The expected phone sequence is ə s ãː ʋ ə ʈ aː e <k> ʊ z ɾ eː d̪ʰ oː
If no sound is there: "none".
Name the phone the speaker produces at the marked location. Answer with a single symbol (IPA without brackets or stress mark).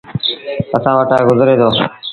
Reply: ɡ